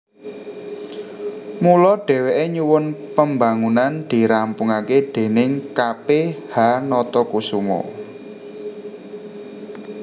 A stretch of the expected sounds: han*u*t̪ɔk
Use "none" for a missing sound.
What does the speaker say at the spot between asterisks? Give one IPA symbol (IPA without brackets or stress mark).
ɔ